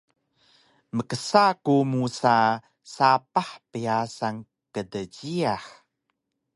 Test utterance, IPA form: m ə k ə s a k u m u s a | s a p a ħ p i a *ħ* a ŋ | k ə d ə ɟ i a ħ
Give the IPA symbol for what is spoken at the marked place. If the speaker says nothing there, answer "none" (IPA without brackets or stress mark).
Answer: s